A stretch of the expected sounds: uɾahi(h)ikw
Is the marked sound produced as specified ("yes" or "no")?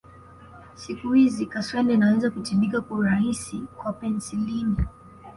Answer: no